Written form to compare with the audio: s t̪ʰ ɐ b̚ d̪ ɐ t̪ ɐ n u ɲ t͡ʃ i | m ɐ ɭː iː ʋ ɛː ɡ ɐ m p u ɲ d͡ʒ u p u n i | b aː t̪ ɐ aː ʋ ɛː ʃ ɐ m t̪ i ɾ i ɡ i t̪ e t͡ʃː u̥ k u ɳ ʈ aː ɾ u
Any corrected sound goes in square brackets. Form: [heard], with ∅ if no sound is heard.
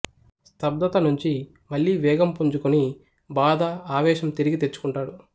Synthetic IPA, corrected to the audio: s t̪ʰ ɐ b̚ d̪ ɐ t̪ ɐ n u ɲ t͡ʃ i | m ɐ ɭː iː ʋ ɛː ɡ ɐ m p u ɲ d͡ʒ u [k] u n i | b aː [d̪] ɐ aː ʋ ɛː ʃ ɐ m t̪ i ɾ i ɡ i t̪ e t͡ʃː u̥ k u ɳ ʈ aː [ɽ] u